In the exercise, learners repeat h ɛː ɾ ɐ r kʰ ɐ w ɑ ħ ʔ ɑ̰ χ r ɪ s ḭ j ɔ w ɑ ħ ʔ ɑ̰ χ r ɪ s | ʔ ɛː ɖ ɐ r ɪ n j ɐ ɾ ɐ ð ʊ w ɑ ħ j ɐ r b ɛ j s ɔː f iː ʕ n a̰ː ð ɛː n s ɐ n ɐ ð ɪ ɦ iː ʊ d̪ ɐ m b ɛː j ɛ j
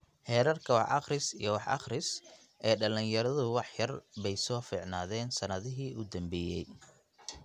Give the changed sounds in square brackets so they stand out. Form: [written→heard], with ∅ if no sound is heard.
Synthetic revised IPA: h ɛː ɾ ɐ r kʰ ɐ w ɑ ħ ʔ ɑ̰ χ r ɪ s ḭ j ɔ w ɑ ħ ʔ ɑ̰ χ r ɪ s | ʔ ɛː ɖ ɐ [r→l] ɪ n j ɐ ɾ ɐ ð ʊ w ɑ ħ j ɐ r b ɛ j s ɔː f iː ʕ n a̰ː ð ɛː n s ɐ n ɐ ð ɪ ɦ iː ʊ d̪ ɐ m b ɛː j ɛ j